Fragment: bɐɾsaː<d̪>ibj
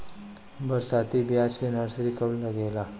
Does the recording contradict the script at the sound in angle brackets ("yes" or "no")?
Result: yes